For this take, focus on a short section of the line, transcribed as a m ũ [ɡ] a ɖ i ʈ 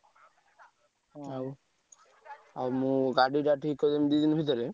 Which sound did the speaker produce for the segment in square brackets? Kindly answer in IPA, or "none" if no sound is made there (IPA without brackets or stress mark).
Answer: ɡ